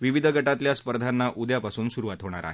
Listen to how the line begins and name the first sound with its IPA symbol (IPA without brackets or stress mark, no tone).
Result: ʋ